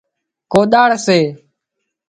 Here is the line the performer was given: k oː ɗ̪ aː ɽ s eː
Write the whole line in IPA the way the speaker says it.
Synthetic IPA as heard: k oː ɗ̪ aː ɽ s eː